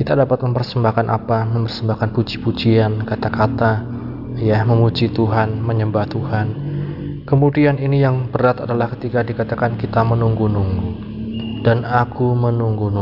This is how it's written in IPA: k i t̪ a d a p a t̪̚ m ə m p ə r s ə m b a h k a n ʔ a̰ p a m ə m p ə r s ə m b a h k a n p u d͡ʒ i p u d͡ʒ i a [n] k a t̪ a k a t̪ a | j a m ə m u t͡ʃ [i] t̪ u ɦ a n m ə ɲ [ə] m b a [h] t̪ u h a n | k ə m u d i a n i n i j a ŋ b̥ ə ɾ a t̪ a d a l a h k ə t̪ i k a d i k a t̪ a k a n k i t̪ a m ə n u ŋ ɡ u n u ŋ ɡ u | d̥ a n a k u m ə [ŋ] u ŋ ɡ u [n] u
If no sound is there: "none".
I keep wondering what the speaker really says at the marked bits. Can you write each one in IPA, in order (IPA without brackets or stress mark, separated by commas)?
n, i, ə, h, n, n